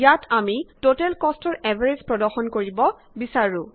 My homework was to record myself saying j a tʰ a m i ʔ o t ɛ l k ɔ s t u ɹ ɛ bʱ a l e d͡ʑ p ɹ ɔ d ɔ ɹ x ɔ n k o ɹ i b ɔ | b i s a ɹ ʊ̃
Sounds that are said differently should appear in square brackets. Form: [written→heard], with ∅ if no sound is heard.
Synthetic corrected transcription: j a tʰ a m i [ʔ→t] o t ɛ l k ɔ s t [u→ɔ] ɹ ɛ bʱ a [l→ɹ] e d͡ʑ p ɹ ɔ d ɔ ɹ x ɔ n k o ɹ i b ɔ | b i s a ɹ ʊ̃